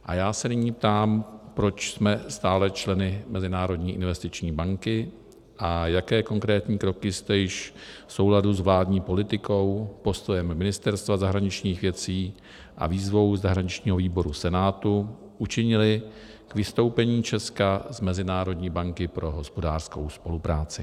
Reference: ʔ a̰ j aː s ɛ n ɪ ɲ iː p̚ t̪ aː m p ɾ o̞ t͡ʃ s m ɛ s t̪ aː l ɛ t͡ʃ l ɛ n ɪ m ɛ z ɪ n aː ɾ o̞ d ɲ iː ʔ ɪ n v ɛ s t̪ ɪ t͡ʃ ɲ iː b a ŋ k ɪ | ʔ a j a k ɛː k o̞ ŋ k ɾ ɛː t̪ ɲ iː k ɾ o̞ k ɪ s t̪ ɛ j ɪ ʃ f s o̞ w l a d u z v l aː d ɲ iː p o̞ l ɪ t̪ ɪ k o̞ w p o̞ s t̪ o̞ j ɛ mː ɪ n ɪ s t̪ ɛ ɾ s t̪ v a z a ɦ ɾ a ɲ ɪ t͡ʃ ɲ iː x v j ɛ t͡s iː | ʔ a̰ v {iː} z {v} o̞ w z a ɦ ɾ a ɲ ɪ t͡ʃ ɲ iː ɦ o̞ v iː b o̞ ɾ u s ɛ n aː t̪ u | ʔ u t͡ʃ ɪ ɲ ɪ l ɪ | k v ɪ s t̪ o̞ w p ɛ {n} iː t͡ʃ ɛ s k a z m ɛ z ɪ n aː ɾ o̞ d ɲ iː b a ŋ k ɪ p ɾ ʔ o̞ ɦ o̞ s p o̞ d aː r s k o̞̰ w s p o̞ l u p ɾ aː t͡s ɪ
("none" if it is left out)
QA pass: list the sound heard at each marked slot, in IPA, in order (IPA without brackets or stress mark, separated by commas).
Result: iː, v, ɲ